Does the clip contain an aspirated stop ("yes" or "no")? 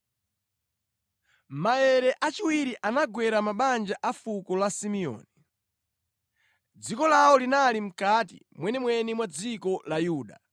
no